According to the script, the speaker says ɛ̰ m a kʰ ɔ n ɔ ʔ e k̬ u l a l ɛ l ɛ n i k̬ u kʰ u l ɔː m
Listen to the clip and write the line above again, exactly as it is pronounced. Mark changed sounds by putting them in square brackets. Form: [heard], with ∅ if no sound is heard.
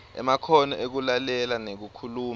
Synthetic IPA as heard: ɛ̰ m a kʰ ɔ n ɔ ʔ e k̬ u l a l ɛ l [a] n [e] k̬ u kʰ u l [uː] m